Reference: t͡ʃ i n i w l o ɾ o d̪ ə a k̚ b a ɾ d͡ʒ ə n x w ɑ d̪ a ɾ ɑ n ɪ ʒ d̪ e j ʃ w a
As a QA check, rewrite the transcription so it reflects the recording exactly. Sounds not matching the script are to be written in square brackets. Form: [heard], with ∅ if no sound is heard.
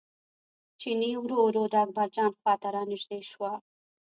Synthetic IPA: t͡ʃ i n i w [ɾ] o ɾ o d̪ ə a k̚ b a ɾ d͡ʒ [ɑ] n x w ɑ [t̪] a ɾ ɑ n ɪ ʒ d̪ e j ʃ w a